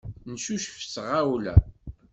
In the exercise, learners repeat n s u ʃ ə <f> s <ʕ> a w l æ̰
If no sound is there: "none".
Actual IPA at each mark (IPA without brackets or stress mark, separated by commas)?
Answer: f, ʁ